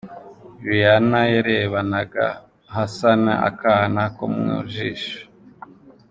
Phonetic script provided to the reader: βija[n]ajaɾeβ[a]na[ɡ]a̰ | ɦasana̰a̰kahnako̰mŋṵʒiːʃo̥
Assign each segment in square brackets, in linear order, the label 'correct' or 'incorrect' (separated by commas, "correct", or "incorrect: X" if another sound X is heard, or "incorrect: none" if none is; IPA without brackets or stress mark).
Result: correct, correct, correct